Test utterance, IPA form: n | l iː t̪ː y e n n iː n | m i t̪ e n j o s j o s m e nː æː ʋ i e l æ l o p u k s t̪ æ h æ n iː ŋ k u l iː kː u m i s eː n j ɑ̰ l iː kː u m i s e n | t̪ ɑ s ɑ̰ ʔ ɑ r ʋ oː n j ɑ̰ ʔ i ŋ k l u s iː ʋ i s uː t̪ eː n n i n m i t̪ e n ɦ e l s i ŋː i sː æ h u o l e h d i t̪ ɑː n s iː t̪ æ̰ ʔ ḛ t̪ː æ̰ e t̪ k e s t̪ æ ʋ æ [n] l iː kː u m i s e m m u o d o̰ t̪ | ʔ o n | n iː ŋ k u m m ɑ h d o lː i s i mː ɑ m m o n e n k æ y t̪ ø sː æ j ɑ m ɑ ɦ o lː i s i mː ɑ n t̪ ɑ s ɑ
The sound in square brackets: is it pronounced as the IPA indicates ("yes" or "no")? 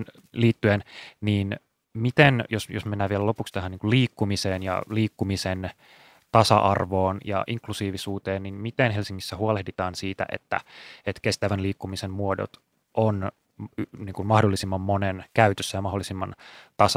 yes